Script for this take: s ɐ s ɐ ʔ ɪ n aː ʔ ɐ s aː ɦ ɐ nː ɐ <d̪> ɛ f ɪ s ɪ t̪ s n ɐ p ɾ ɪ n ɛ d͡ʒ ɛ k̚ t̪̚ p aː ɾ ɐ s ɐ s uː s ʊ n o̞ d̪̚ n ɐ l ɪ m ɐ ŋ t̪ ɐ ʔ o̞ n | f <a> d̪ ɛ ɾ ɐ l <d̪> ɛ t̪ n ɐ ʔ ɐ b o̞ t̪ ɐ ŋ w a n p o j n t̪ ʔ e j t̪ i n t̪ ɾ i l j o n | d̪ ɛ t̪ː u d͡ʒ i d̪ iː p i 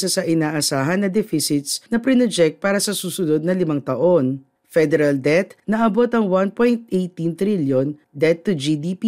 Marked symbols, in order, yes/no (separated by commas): yes, no, yes